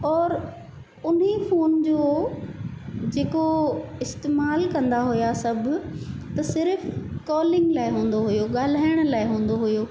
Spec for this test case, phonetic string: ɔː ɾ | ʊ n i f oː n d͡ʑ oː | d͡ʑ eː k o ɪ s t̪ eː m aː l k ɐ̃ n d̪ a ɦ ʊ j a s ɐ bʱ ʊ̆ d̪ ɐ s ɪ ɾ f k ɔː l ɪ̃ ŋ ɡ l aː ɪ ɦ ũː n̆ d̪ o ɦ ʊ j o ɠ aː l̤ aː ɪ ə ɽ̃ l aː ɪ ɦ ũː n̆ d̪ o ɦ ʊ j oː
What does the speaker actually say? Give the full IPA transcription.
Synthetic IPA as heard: ɔː ɾ | ʊ n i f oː n d͡ʑ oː | d͡ʑ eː k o ɪ s t̪ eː m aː l k ɐ̃ n d̪ a ɦ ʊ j a s ɐ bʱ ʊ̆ t̪ ɐ s ɪ ɾ f k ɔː l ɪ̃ ŋ ɡ l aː ɪ ɦ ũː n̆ d̪ o ɦ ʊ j o ɠ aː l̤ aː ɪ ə ɽ̃ l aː ɪ ɦ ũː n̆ d̪ o ɦ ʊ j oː